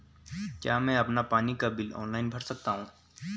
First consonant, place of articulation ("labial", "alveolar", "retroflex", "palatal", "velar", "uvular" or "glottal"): velar